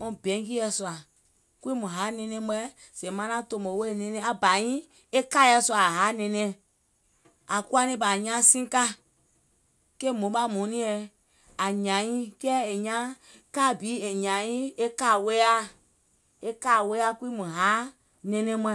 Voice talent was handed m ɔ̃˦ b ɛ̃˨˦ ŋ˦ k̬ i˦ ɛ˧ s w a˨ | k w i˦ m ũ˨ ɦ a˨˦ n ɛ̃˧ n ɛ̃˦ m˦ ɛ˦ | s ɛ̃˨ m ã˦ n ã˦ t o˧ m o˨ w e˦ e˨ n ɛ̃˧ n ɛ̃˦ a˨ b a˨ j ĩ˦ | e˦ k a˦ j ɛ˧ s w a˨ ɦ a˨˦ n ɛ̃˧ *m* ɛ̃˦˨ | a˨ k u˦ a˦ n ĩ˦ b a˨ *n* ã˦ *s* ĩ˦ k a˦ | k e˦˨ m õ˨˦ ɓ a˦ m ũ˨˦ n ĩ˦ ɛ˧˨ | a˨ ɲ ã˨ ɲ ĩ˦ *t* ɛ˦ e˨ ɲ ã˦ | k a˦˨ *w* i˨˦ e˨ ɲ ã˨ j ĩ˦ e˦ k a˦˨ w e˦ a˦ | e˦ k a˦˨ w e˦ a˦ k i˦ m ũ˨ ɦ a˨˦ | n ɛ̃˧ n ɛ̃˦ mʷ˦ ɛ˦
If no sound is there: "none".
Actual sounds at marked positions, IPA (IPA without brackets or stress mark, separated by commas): n, ɲ, s, k, b